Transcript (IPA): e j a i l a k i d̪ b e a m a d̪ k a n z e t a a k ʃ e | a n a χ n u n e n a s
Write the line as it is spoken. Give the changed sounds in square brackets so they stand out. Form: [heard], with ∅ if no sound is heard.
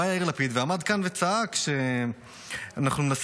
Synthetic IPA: [a] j a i l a [p] i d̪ [v] e a m a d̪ k a n [v] e [t͡s] a a k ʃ e | a n a χ n u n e n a s